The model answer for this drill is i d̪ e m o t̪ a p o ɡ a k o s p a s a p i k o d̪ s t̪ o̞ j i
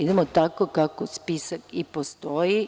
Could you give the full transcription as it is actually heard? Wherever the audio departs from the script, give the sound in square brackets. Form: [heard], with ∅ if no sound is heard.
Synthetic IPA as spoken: i d̪ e m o t̪ a [k] o [k] a k o s p [i] s a [k] i [p] o [∅] s t̪ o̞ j i

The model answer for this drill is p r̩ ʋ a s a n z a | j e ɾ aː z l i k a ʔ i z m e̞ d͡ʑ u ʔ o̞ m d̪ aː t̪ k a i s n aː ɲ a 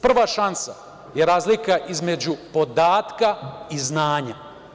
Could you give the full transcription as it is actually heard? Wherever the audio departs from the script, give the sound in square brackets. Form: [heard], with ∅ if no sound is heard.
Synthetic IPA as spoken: p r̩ ʋ a [ʃ] a n [s] a | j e ɾ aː z l i k a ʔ i z m e̞ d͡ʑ u [p] o̞ [∅] d̪ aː t̪ k a i [z] n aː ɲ a

